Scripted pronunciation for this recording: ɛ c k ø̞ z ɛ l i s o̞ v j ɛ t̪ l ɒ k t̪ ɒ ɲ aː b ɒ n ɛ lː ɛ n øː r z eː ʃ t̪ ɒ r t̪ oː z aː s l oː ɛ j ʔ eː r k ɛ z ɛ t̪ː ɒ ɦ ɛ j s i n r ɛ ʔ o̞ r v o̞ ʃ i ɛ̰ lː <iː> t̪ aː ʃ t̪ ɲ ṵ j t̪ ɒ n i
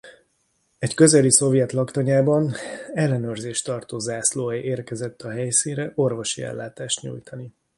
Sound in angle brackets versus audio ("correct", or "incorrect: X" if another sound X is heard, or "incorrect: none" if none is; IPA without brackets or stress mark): incorrect: aː